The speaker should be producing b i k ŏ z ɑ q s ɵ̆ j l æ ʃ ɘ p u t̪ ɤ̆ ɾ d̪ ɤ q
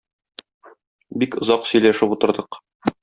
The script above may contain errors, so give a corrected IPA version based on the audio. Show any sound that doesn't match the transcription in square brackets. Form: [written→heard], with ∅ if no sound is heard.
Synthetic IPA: b i k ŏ z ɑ q s ɵ̆ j l æ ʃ ɘ p u t̪ ɤ̆ ɾ d̪ ɤ q